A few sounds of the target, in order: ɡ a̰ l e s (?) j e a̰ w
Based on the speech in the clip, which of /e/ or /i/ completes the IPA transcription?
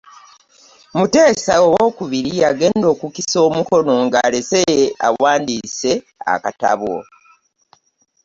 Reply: e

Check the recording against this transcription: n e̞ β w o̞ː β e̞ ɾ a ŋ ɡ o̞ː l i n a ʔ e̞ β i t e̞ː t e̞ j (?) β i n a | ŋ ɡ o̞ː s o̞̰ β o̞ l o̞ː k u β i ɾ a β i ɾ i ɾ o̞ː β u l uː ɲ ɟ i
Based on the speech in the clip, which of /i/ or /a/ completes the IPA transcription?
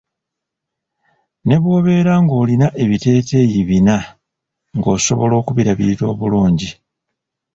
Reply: i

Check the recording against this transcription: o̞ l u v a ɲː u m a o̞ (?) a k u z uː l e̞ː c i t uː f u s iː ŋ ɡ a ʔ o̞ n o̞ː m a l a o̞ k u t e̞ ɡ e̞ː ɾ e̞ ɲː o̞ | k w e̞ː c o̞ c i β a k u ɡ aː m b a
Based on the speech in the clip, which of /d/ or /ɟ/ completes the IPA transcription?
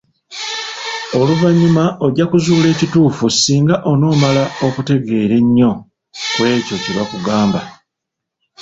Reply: ɟ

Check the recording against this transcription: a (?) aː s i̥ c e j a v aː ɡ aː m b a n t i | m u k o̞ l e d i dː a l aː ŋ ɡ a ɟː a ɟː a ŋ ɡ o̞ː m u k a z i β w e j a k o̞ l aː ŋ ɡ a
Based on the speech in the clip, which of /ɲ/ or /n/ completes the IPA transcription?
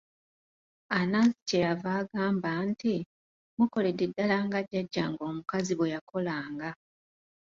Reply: n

